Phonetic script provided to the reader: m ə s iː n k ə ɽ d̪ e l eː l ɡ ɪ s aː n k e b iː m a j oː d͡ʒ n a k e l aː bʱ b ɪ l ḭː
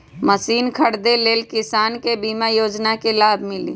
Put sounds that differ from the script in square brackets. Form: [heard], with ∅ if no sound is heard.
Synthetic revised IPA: m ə s iː n [kʰ] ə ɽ d̪ e l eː l [k] ɪ s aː n k e b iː m a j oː d͡ʒ n a k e l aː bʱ [m] ɪ l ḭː